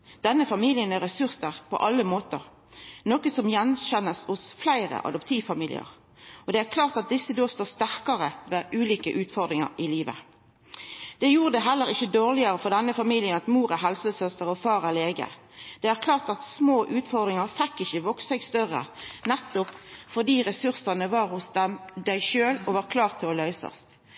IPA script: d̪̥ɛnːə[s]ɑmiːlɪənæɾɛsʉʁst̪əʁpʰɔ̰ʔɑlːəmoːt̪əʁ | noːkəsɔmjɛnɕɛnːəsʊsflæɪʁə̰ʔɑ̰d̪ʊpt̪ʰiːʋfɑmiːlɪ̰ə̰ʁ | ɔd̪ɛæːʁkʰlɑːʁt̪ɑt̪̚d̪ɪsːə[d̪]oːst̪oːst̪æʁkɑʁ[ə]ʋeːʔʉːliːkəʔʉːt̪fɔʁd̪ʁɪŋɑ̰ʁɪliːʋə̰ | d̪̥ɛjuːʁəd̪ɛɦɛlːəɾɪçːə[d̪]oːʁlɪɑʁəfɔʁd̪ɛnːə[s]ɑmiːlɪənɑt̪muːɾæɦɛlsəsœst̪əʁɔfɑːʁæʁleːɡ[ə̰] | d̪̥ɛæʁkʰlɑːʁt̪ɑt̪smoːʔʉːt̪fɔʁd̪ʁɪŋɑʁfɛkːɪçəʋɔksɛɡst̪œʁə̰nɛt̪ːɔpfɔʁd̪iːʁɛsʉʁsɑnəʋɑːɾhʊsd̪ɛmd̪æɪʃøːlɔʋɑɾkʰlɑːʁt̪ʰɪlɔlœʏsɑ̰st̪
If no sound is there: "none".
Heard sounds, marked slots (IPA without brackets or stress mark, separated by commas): f, d̪, ə, d̪, f, ə̰